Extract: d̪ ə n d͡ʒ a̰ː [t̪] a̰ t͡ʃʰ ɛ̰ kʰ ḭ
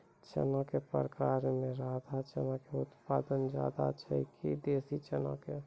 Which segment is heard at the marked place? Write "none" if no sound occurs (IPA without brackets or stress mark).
d̪